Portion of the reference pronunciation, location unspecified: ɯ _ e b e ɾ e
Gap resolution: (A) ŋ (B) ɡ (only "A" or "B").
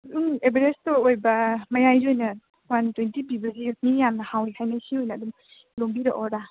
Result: A